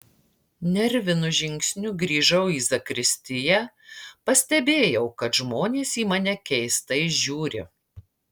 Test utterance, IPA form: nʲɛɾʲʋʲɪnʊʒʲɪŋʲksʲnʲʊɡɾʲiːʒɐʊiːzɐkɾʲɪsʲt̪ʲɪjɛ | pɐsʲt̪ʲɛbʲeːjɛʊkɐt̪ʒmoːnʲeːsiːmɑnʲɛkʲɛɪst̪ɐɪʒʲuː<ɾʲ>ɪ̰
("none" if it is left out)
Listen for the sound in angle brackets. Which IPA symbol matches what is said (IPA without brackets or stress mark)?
ɾʲ